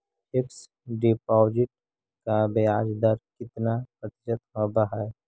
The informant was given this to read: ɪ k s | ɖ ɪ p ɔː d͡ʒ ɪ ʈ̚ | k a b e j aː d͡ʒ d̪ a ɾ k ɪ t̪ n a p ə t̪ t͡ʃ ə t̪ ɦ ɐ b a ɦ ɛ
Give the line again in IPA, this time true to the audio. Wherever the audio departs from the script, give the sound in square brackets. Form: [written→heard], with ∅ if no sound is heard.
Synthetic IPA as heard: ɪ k s | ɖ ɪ p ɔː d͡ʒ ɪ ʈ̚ | k a b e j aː d͡ʒ d̪ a ɾ k ɪ t̪ n a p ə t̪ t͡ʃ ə t̪ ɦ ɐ b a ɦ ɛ